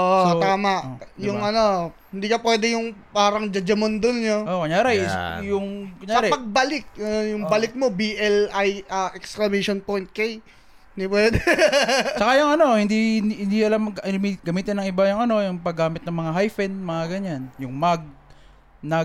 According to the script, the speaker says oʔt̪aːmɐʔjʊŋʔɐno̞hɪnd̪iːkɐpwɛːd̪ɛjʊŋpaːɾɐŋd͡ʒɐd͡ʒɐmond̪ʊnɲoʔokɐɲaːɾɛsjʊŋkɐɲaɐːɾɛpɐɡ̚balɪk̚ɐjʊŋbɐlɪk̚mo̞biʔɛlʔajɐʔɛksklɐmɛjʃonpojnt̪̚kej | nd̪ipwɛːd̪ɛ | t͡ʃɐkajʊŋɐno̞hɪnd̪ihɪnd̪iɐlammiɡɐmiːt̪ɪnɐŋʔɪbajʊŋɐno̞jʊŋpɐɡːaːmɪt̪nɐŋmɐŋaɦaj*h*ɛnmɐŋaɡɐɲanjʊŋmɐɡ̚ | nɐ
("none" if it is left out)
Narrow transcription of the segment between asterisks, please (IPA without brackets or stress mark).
f